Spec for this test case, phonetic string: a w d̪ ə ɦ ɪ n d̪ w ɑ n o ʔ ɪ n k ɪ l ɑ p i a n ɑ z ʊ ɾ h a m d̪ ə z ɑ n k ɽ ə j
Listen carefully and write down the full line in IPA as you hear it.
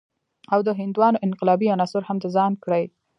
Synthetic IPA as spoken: a w d̪ ə ɦ ɪ n d̪ w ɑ n o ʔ ɪ n q ɪ l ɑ b i a n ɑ s ʊ ɾ h a m d̪ ə z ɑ n k ɽ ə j